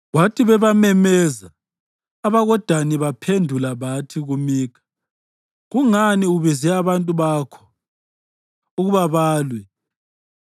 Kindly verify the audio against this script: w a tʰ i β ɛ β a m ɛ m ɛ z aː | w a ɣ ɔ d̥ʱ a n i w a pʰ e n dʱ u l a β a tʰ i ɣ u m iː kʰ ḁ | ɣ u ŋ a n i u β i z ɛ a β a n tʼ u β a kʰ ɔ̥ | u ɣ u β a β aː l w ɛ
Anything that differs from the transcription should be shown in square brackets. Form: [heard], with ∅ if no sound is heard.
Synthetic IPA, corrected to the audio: w a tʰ i β ɛ β a m ɛ m ɛ z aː | [β] a ɣ ɔ d̥ʱ a n i [β] a pʰ e n dʱ u l a β a tʰ i ɣ u m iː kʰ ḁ | ɣ u ŋ a n i u β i z ɛ a β a n tʼ u β a kʰ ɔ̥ | u ɣ u β a β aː l w ɛ